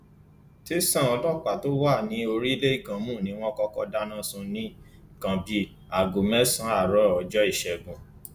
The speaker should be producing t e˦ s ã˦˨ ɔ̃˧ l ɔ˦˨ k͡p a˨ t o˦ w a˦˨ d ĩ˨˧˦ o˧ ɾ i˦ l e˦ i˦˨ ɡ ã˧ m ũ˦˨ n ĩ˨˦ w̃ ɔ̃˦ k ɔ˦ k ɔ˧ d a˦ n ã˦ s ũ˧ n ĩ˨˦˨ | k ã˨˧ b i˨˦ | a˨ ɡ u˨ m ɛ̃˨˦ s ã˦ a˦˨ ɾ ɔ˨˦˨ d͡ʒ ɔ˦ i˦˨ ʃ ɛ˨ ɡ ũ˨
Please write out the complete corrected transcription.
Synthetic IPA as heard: t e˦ s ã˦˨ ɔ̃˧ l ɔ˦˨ k͡p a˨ t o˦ w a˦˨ n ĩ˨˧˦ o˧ ɾ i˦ l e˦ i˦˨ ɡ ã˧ m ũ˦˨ n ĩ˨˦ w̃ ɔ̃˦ k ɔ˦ k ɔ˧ d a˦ n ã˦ s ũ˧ n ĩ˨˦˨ | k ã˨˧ b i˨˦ | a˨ ɡ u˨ m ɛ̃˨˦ s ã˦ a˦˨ ɾ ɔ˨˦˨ d͡ʒ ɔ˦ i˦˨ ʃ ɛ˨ ɡ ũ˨